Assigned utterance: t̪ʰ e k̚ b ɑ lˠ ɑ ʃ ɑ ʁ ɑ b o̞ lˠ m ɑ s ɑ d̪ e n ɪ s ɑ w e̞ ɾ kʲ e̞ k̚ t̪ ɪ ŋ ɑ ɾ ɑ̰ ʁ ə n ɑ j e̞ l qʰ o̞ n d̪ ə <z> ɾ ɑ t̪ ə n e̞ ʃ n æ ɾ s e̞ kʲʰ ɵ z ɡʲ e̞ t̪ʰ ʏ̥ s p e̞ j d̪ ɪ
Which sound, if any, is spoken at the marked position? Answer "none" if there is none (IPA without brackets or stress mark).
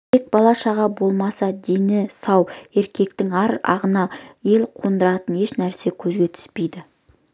none